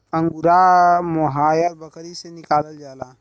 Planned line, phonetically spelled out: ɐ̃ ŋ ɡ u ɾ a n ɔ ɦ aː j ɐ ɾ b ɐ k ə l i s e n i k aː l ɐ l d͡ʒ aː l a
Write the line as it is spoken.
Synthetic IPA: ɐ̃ ŋ ɡ u ɾ a m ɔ ɦ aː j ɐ ɾ b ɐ k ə ɾ i s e n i k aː l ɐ l d͡ʒ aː l a